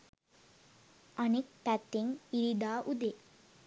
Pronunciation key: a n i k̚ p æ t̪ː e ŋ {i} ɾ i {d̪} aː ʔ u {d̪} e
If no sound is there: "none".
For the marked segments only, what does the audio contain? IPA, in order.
i, d̪, d̪

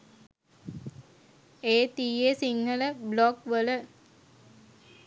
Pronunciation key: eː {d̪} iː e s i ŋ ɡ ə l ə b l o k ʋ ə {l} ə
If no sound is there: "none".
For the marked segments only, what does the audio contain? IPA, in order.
t̪, l

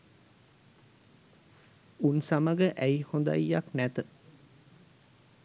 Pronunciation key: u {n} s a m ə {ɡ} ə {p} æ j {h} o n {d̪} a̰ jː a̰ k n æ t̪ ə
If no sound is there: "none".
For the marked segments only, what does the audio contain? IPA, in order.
n, ɡ, ʔ, h, d̪

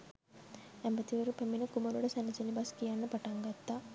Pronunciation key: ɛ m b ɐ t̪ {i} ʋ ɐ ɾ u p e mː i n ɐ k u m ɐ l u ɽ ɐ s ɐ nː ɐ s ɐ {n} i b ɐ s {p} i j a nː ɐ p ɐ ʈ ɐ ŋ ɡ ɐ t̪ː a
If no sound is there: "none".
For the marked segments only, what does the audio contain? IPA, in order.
i, n, k

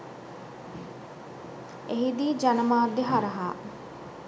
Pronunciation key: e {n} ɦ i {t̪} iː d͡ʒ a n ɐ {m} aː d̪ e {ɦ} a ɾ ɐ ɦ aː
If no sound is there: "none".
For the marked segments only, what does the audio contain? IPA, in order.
none, d̪, m, ɦ

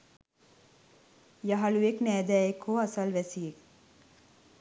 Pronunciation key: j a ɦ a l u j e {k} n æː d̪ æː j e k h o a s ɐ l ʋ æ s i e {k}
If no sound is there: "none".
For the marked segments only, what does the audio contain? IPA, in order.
k, k

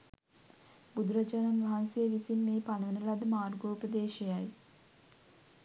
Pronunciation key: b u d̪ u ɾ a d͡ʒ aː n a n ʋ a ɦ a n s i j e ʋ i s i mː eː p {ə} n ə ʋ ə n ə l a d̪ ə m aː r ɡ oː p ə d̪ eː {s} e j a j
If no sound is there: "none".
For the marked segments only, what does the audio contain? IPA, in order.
a, ʃ

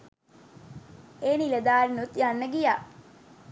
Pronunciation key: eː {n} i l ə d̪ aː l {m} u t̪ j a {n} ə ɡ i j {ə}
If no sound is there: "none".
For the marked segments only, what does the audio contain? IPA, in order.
n, n, nː, a

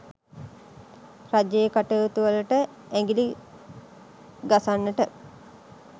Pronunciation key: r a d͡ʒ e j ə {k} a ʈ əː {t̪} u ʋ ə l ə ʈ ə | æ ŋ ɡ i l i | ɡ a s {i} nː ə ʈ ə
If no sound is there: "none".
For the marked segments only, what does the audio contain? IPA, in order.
k, t̪, a

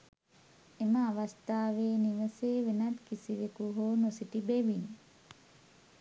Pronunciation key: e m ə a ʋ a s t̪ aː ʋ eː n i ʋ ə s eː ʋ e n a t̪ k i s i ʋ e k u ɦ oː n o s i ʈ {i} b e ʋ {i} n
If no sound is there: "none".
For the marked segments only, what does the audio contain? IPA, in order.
i, i

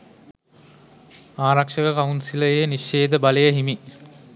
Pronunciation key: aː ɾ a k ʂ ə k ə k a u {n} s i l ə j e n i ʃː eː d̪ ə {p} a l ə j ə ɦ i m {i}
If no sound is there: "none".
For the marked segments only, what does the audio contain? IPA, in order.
n, b, i

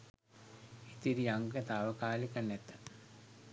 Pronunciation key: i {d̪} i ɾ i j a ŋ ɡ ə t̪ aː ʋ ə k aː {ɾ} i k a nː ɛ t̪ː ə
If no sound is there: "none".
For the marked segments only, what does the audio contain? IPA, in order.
t̪, l

